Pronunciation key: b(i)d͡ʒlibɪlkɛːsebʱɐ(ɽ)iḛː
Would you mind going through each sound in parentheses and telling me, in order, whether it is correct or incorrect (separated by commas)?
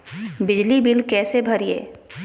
incorrect, incorrect